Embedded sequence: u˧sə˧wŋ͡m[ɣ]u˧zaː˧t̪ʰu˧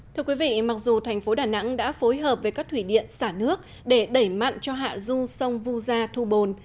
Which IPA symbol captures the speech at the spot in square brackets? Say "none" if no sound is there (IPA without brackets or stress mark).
v